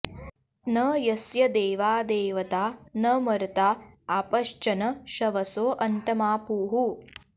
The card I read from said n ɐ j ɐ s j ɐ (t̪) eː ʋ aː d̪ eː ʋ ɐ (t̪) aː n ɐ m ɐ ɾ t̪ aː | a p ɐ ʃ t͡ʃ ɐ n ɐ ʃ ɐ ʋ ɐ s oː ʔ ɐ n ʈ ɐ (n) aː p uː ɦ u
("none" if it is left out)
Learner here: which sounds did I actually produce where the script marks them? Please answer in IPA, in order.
d̪, t̪, m

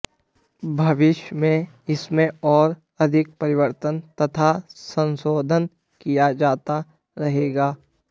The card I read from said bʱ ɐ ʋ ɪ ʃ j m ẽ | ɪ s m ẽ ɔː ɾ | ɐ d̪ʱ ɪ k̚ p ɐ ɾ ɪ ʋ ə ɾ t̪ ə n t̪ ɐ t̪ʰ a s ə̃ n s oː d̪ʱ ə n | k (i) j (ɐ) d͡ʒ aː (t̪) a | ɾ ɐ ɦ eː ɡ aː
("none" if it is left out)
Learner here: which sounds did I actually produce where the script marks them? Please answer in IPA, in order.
i, a, t̪

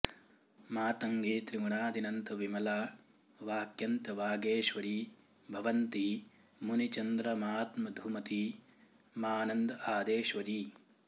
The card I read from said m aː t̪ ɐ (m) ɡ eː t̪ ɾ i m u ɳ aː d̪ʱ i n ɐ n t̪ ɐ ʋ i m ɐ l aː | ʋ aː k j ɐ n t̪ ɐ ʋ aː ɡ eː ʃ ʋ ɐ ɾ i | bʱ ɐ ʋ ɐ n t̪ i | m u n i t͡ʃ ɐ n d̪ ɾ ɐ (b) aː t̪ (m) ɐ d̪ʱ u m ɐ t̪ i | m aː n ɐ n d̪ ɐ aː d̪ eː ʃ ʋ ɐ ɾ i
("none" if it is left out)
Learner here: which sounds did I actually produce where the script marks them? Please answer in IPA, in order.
ŋ, m, m

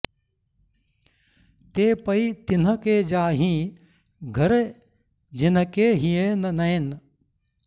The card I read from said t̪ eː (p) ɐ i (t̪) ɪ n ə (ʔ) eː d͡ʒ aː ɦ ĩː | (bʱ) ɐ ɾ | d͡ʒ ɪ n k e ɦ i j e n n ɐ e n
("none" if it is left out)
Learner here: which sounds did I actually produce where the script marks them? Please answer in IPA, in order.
p, t̪, k, ɡʱ

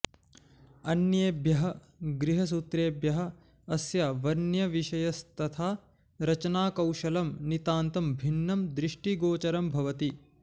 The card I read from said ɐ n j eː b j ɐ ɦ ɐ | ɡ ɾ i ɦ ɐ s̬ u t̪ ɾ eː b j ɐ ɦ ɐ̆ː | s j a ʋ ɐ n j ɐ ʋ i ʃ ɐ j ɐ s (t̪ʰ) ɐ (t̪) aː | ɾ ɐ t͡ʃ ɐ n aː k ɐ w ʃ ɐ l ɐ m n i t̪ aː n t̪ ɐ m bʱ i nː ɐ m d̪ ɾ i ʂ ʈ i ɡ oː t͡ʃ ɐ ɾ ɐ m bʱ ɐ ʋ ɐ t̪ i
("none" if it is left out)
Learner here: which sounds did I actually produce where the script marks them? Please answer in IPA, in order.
t̪, t̪ʰ

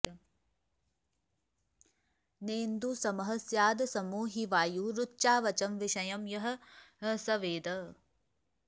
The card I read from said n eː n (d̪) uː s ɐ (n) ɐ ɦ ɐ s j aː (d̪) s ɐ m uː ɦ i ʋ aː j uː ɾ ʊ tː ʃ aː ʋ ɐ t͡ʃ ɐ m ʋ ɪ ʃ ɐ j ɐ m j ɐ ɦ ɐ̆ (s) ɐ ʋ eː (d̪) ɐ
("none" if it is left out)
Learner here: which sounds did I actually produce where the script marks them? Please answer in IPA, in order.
d̪, m, d̪, s, d̪

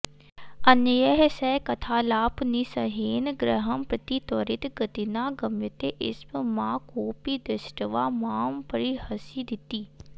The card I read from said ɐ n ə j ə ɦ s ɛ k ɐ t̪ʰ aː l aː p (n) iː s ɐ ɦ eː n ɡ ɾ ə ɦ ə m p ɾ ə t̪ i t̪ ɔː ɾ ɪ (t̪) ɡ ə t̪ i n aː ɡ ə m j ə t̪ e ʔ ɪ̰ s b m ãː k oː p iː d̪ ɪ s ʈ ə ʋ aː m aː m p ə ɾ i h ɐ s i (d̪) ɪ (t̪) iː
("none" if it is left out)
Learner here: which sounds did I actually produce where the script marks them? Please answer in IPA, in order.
n, t̪, d̪, t̪

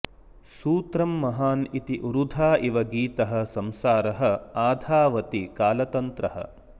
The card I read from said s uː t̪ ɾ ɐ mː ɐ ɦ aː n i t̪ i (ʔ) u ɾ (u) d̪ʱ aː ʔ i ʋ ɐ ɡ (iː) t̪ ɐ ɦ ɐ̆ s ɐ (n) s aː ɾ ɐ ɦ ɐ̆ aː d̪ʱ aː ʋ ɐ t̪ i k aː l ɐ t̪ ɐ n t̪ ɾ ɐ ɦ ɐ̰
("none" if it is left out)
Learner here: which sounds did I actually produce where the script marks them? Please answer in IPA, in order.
ʔ, u, iː, m

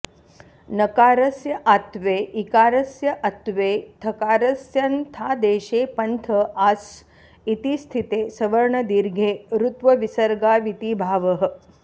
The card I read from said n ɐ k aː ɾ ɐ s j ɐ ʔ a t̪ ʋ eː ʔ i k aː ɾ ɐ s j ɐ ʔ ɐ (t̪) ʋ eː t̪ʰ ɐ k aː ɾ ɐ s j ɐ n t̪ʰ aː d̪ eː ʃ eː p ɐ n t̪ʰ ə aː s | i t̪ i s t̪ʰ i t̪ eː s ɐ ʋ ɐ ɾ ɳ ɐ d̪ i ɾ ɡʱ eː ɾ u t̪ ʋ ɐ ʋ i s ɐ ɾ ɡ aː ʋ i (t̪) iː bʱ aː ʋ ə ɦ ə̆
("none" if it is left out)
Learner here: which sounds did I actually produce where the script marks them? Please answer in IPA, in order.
t̪, t̪

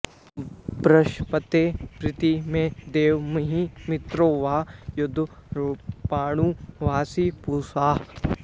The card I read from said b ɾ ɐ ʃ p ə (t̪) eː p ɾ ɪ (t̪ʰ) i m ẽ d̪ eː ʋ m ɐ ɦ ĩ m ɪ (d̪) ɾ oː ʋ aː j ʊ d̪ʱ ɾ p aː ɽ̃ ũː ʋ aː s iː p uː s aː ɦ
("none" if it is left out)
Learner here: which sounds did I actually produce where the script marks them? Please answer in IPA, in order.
t̪, t̪, t̪

